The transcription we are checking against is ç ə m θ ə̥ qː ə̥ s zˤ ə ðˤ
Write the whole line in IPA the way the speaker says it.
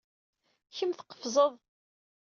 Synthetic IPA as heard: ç ə m θ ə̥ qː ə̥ f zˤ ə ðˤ